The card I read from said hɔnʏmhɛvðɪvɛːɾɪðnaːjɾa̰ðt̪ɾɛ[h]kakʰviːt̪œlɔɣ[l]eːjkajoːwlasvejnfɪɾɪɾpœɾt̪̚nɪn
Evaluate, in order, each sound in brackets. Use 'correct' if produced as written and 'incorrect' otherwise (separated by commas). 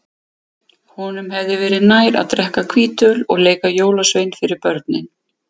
correct, correct